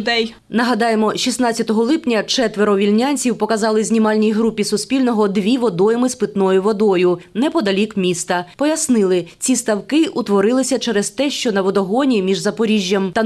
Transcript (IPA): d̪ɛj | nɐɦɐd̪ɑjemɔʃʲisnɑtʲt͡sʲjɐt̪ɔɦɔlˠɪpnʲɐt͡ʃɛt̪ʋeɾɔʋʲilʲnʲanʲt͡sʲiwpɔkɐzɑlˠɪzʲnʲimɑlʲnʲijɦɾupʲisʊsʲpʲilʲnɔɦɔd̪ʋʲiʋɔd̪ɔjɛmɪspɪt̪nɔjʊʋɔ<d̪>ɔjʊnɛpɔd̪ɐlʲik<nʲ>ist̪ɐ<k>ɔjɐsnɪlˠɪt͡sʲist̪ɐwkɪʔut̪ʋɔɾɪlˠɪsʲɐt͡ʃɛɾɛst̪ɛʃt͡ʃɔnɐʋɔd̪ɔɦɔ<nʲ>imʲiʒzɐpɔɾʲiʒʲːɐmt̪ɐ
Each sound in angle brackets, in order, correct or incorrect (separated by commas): correct, incorrect, incorrect, correct